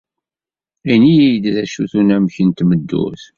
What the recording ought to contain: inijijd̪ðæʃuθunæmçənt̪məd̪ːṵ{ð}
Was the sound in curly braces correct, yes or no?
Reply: no